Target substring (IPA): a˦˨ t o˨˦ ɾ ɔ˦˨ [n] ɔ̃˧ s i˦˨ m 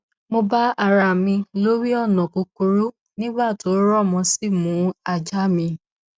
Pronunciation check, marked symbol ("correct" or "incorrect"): incorrect